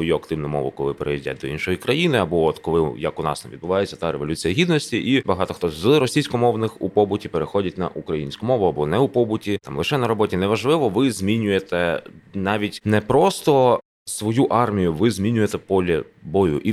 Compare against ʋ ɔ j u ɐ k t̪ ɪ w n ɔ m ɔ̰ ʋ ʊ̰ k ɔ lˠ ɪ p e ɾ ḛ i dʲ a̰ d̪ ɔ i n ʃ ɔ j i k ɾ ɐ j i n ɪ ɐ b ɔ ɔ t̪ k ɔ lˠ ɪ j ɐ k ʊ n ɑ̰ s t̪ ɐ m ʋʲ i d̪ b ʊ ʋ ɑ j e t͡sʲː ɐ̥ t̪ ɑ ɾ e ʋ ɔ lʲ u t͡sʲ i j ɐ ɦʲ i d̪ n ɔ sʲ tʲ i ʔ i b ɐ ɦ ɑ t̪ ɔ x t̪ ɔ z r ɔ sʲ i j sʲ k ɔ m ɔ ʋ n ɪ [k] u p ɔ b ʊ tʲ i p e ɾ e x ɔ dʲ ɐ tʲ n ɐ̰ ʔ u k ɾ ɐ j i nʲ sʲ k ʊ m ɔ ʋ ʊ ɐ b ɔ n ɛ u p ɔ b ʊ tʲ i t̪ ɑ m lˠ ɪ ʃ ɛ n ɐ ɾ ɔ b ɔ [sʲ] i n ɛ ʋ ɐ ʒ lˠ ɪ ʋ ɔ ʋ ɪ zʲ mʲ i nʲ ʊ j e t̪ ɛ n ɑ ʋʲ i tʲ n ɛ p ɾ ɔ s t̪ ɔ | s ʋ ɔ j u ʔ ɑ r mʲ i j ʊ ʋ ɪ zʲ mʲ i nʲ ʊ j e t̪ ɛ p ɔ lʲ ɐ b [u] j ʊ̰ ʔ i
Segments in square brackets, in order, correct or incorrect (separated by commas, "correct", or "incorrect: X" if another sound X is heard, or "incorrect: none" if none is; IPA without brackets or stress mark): incorrect: x, incorrect: tʲ, incorrect: ɔ